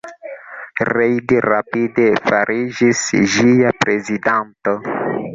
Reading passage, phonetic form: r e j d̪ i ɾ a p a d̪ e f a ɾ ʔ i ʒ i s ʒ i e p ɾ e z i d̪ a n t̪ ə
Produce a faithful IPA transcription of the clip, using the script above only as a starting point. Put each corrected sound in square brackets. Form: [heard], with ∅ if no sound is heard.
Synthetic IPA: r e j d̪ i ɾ a p [i] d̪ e f a ɾ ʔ i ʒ i s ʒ i [a] p ɾ e z i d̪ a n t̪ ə